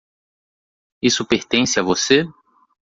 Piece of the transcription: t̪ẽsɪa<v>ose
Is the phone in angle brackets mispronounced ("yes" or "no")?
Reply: no